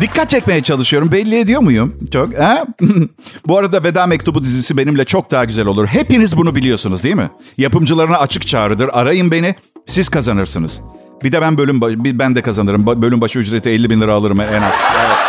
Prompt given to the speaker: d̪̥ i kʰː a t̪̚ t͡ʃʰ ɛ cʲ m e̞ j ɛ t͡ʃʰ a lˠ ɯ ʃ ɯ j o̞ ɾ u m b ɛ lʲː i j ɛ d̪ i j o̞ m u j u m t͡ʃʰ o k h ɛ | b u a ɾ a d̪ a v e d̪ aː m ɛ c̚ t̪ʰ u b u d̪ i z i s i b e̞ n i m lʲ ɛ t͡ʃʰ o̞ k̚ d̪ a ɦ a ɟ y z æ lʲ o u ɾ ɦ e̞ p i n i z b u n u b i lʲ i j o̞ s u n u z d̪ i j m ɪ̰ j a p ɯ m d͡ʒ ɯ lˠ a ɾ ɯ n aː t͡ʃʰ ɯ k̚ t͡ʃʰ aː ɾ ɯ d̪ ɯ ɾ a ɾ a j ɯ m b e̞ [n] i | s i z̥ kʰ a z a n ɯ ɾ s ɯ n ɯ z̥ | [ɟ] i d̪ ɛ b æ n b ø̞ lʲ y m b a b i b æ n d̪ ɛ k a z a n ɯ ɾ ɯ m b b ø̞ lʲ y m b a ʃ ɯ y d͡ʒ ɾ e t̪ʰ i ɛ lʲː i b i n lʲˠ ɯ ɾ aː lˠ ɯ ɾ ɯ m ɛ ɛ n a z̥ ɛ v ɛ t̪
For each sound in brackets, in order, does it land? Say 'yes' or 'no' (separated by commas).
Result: yes, no